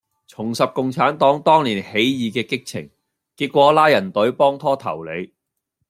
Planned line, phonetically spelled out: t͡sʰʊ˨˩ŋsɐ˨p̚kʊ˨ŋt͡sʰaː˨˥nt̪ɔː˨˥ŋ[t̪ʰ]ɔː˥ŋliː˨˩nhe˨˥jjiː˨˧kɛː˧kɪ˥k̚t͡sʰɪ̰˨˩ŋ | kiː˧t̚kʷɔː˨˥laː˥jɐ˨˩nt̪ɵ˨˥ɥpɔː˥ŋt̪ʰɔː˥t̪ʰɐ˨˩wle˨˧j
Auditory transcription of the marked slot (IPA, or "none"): t̪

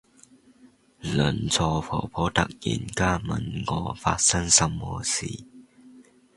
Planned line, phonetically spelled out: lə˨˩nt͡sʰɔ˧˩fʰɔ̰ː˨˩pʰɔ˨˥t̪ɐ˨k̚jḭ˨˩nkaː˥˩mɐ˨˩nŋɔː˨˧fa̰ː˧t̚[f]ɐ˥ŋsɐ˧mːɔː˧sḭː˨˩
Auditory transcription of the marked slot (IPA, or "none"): s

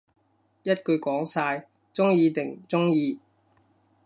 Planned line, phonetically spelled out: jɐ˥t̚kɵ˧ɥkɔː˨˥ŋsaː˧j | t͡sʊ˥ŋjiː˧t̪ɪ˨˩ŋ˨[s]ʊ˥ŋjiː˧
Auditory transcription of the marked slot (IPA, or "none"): t͡s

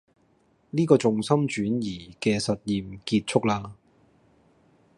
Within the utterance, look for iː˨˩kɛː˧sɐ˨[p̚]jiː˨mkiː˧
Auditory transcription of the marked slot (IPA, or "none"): t̚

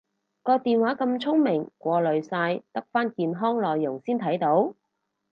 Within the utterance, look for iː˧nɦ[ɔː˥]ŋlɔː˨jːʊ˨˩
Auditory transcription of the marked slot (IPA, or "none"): ɔː˥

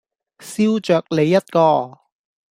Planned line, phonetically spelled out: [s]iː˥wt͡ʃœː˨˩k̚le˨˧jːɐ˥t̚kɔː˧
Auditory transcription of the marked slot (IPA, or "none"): s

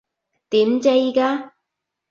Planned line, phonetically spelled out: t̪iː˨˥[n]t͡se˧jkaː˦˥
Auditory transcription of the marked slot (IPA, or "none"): m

